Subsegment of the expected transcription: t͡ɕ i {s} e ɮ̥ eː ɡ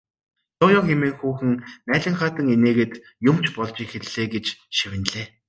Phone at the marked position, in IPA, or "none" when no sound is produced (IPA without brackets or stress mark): x